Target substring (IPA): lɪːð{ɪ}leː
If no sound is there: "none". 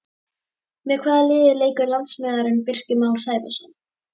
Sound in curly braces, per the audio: ɪ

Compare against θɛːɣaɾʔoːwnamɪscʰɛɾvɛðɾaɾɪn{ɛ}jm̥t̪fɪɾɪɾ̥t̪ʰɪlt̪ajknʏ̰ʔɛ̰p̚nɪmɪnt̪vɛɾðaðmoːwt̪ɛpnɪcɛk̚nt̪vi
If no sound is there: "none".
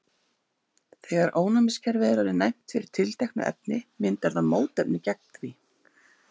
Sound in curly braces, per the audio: a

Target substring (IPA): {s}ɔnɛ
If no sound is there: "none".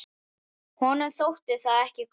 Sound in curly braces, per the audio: h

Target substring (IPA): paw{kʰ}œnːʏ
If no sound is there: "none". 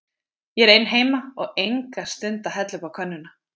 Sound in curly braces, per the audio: kʰ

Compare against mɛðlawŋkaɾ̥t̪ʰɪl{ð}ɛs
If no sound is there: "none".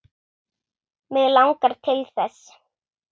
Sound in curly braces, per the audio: θ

